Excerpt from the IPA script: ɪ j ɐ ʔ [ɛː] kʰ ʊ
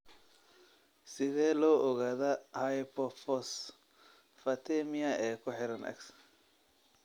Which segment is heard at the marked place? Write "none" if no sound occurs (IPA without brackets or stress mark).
ɛː